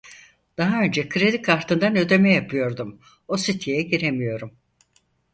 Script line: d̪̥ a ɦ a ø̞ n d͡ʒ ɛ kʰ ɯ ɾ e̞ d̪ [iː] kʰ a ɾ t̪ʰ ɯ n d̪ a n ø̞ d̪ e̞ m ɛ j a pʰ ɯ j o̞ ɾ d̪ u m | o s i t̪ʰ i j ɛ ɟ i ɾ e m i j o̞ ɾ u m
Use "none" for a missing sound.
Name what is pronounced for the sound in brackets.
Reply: i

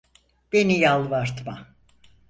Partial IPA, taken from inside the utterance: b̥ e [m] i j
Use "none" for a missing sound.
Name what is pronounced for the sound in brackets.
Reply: n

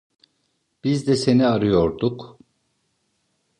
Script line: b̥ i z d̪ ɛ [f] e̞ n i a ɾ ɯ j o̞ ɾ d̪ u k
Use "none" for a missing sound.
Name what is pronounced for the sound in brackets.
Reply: s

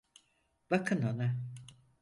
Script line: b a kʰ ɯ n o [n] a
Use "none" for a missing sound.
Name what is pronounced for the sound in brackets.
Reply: n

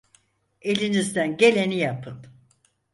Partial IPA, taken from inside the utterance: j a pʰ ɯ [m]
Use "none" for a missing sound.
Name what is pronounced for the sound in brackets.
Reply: n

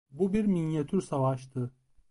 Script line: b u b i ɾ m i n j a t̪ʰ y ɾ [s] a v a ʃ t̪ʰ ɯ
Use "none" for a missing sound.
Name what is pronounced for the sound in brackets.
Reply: s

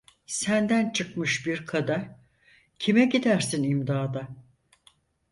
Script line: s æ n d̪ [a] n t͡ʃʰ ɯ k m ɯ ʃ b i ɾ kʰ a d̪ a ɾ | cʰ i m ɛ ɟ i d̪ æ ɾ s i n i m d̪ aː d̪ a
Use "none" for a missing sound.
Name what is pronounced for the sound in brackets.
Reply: æ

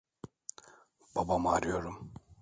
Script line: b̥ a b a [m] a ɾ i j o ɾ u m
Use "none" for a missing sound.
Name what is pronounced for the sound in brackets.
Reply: m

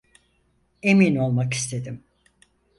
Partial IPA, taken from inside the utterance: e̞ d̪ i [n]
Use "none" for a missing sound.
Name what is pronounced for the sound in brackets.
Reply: m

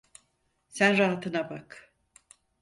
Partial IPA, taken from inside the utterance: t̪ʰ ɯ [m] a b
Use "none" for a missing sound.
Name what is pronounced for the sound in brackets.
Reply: n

